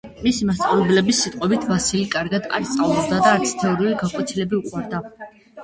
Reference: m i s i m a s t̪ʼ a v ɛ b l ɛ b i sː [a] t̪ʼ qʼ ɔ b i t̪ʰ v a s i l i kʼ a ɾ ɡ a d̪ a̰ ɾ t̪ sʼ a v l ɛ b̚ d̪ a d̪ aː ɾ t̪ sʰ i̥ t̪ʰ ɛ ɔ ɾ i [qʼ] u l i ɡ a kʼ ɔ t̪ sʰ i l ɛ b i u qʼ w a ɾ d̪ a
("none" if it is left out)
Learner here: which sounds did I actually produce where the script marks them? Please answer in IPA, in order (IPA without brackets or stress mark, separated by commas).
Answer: i, none